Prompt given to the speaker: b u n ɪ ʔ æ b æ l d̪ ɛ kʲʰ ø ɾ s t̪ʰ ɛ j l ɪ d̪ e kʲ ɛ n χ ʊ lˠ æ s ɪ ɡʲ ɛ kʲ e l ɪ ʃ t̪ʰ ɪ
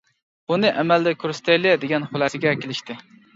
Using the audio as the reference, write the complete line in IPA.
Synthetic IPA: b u n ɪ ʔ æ m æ l d̪ ɛ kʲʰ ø ɾ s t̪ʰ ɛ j l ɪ d̪ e ɡʲ ɛ n χ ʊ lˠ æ s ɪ ɡʲ ɛ kʲ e l ɪ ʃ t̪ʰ ɪ